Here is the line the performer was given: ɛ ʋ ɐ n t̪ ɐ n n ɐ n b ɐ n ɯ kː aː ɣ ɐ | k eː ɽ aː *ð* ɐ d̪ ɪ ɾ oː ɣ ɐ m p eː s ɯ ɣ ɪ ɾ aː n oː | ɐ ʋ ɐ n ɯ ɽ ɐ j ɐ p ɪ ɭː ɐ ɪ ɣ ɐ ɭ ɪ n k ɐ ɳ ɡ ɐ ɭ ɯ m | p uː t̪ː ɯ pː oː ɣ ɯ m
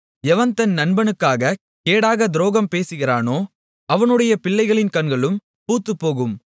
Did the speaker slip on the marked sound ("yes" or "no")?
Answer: yes